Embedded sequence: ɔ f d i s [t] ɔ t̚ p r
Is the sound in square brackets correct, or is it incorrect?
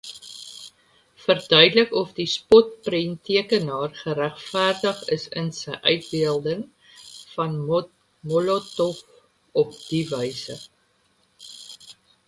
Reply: incorrect